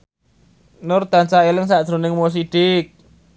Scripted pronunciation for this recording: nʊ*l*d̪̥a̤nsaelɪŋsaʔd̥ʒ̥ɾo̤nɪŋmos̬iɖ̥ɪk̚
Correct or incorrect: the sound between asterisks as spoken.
incorrect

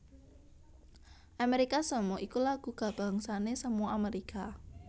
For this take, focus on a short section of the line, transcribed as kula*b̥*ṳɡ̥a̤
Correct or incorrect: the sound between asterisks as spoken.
incorrect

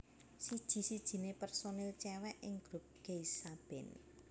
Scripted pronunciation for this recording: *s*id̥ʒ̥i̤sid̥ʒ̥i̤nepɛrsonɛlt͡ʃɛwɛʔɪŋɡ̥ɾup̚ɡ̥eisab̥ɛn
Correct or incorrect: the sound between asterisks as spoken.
correct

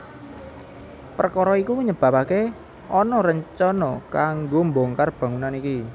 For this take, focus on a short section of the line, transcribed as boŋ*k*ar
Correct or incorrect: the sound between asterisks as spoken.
correct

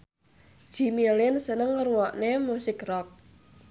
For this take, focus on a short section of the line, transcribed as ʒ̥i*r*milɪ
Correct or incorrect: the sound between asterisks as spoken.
incorrect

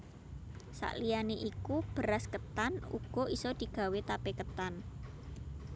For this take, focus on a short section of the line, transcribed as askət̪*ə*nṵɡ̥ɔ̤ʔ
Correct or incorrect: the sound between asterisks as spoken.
incorrect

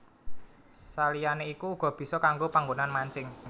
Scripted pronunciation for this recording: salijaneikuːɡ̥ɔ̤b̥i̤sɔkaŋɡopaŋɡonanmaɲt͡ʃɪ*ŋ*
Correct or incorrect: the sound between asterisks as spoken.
correct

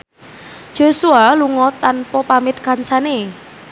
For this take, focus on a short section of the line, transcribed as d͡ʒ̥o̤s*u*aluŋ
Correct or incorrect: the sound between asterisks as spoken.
correct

